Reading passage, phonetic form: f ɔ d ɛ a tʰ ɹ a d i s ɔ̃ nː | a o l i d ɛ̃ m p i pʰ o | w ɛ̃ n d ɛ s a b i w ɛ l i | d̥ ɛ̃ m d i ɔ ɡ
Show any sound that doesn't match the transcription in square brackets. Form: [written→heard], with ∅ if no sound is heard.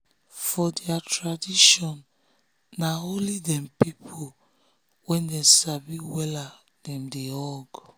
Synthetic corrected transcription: f ɔ d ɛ a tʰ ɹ a d i [s→ʃ] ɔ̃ nː | a o l i d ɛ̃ m p i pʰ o | w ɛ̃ n d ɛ s a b i w ɛ l [i→a] | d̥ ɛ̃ m d [i→e] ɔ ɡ